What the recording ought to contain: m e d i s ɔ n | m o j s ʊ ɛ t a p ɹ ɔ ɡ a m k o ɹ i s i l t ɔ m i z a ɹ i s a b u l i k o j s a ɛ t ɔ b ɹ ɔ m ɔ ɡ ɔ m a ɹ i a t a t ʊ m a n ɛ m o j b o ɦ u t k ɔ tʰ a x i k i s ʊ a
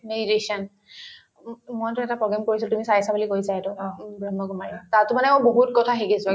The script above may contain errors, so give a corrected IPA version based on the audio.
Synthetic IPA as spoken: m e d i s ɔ n | m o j t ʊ ɛ t a p ɹ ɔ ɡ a m k o ɹ i s i l t u m i s a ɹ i s a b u l i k o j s a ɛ t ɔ b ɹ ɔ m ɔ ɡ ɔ m a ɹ i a t a t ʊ m a n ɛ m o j b o ɦ u t k ɔ tʰ a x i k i s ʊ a

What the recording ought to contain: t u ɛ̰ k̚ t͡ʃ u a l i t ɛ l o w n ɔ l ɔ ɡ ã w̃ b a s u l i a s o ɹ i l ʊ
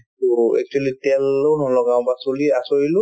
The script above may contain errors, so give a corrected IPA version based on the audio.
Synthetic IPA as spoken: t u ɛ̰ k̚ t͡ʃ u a l i t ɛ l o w n ɔ l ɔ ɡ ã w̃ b a s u l i a s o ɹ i l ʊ

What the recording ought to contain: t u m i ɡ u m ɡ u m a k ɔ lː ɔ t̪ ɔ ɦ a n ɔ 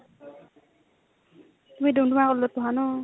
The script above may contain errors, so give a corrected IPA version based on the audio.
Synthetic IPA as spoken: t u m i d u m d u m a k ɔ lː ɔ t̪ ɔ ɦ a n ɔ

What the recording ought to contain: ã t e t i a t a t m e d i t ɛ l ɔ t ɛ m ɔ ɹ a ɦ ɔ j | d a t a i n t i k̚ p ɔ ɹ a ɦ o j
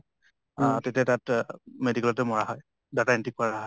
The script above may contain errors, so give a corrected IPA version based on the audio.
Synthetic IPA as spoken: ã t e t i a t a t m e d i k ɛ l ɔ t ɛ m ɔ ɹ a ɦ ɔ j | d a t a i n t i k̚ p ɔ ɹ a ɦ ɔ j

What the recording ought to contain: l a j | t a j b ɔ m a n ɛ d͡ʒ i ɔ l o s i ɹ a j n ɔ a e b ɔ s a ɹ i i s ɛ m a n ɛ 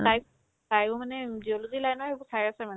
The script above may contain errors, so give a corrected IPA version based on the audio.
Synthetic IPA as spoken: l a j | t a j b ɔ m a n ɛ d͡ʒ i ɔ l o z i l a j n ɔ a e b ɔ s a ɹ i a s ɛ m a n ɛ

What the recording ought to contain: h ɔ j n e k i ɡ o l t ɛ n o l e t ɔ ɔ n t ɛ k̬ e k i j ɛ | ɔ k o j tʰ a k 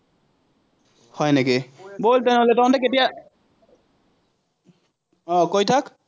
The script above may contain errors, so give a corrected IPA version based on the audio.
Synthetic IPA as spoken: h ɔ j n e k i b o l t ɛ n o l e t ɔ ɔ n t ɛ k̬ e t i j a | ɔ k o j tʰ a k

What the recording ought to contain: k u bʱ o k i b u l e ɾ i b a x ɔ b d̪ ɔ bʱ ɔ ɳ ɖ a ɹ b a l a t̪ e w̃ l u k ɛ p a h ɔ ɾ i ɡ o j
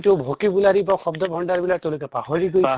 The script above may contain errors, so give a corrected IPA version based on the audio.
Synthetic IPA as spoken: t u bʱ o k i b u l a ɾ i b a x ɔ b d̪ ɔ bʱ ɔ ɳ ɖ a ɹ b i l a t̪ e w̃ l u k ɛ p a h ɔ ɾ i ɡ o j

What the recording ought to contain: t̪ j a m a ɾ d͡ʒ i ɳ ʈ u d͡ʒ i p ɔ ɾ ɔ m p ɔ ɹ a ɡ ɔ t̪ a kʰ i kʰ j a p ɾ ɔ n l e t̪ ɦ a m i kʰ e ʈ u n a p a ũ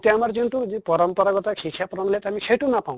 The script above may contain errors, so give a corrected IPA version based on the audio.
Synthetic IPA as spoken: t̪ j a m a ɾ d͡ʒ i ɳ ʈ u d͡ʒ i p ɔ ɾ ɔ m p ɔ ɾ a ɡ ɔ t̪ a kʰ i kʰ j a p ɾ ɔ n l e t̪ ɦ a m i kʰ e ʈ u n a p a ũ

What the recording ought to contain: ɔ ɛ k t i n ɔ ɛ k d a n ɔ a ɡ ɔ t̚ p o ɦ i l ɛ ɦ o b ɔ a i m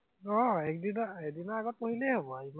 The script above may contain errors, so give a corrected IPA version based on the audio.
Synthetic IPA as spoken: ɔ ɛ k d i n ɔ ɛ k d i n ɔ a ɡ ɔ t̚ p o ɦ i l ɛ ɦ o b ɔ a i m

